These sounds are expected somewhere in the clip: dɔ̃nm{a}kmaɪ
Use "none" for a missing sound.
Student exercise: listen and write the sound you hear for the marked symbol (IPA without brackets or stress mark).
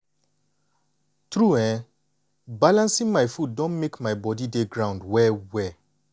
e